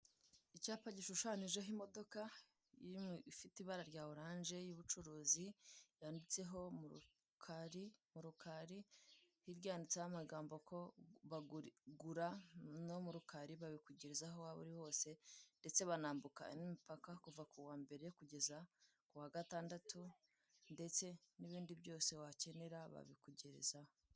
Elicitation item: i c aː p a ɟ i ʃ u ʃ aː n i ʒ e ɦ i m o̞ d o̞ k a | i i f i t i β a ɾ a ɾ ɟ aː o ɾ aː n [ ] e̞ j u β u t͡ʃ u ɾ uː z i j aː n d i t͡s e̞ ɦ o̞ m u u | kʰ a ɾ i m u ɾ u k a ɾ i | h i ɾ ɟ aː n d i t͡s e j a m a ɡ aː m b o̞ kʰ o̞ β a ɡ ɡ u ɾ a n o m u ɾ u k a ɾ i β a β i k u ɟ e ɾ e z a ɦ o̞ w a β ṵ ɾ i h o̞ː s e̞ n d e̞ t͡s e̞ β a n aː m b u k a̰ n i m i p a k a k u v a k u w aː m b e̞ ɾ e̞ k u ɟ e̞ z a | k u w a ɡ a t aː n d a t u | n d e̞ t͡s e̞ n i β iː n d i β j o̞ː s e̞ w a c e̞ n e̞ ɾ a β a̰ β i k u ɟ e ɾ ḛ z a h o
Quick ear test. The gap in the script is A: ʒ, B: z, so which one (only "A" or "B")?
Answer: A